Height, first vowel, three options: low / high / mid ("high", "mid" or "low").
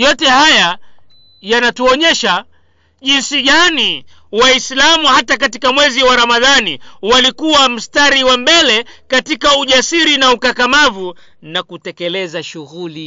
mid